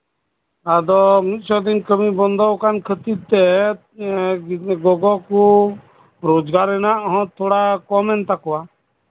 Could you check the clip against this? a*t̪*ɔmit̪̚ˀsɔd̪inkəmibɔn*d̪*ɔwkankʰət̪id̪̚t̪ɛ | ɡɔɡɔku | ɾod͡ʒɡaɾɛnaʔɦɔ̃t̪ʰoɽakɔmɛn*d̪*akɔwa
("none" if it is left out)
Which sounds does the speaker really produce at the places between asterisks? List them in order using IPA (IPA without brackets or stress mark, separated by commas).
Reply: d̪, d̪, t̪